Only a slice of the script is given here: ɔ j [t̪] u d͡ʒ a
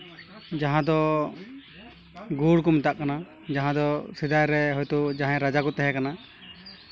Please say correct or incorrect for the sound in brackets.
correct